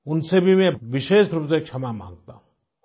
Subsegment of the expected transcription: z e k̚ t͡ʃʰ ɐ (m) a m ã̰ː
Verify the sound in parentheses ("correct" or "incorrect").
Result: correct